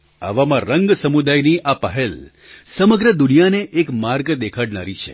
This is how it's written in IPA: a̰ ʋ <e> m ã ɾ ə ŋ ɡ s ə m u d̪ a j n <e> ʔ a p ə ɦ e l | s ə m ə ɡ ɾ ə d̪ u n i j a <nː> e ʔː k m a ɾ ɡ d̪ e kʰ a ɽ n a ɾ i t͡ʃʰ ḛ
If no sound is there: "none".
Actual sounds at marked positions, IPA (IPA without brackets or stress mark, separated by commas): a, i, n